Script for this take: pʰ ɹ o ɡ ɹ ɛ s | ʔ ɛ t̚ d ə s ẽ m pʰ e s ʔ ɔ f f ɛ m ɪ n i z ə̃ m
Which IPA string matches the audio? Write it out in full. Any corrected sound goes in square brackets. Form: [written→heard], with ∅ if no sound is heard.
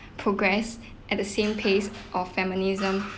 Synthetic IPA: pʰ ɹ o ɡ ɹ ɛ s | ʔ ɛ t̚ d ə s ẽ m pʰ e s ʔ ɔ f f ɛ m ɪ n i z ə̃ m